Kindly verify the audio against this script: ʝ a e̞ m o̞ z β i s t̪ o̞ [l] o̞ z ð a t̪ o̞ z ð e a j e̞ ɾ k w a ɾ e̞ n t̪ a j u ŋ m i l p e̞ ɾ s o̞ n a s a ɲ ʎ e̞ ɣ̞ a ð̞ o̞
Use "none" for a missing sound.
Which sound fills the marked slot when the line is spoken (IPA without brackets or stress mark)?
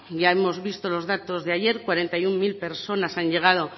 l